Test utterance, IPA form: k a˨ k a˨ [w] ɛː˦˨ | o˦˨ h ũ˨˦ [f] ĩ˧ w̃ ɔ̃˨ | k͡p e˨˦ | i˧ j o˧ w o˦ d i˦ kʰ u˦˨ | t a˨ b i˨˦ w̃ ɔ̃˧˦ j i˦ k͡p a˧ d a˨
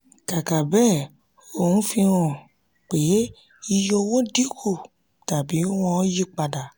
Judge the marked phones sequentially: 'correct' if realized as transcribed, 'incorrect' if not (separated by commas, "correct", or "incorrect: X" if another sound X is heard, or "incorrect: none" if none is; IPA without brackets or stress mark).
incorrect: b, correct